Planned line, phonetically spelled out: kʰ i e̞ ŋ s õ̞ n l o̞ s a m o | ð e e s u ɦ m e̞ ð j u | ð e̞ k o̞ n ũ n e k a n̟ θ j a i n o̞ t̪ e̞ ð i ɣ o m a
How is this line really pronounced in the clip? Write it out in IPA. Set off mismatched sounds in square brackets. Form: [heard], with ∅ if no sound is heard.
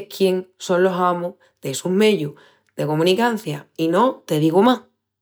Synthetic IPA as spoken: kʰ [j] e̞ ŋ s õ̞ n l o̞ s a m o | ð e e s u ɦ m e̞ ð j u | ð e̞ k o̞ [m] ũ n [i] k a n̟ θ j a i n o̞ t̪ e̞ ð i ɣ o m a